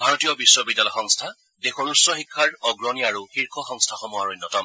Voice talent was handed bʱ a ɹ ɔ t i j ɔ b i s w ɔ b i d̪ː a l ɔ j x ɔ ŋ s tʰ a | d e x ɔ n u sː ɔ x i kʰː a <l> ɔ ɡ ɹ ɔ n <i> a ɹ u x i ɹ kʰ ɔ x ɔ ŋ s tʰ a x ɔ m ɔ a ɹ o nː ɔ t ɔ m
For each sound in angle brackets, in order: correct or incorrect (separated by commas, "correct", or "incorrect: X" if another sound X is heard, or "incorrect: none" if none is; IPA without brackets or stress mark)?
incorrect: ɹ, correct